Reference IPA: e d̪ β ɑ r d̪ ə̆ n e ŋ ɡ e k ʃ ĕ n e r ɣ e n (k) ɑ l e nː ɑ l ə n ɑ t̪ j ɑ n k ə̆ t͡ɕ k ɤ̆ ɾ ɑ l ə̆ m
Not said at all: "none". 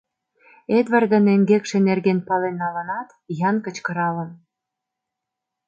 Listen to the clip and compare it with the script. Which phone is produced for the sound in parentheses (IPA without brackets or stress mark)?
p